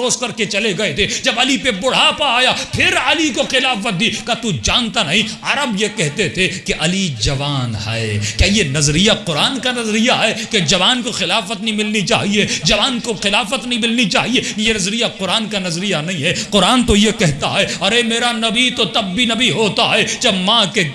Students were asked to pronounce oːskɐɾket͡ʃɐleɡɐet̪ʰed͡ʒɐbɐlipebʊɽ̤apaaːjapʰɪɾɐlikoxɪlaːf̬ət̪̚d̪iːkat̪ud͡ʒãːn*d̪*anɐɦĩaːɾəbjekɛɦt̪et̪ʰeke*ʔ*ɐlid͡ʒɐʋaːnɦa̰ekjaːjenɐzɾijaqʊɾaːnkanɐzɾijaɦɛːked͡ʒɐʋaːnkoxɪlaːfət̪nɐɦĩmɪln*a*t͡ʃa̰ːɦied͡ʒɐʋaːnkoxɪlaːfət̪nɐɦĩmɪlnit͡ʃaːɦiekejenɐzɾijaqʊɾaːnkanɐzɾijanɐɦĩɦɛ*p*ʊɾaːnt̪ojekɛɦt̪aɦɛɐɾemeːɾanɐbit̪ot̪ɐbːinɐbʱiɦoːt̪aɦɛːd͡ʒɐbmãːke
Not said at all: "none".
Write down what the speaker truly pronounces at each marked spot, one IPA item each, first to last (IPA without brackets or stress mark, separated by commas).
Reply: t̪, ʔ, i, q